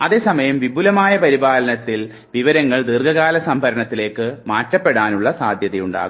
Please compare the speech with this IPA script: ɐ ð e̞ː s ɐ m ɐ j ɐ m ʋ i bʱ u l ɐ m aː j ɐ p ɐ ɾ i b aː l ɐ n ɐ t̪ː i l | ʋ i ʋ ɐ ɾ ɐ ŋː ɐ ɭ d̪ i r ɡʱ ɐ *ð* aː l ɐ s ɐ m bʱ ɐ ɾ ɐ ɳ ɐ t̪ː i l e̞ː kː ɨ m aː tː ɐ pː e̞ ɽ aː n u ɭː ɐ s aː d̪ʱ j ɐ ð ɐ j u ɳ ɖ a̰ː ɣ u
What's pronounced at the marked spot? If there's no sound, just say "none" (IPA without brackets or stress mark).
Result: ɣ